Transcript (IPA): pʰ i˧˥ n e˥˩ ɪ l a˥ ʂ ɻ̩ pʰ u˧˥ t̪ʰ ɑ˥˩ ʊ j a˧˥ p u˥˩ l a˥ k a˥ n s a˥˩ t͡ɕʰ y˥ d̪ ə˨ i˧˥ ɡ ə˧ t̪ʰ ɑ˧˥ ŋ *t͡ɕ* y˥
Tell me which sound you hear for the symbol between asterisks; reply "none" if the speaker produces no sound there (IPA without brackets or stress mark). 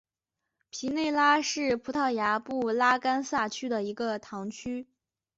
t͡ɕʰ